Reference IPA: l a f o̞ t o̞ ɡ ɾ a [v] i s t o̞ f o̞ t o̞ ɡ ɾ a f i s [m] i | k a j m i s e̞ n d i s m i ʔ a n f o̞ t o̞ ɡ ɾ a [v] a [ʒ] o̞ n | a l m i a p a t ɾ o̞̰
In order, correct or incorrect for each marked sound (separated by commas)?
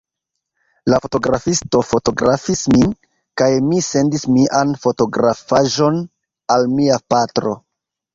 incorrect, correct, incorrect, correct